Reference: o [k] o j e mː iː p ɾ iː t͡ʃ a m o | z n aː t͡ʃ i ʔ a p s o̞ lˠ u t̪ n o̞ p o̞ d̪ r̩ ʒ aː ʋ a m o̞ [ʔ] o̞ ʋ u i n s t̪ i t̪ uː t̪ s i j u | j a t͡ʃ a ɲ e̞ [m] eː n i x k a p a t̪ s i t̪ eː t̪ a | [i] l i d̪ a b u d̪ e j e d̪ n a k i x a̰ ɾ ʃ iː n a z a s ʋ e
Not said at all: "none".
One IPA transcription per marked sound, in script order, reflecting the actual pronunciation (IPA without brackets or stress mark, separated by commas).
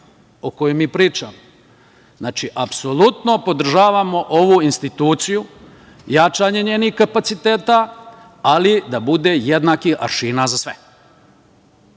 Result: k, ʔ, ɲ, a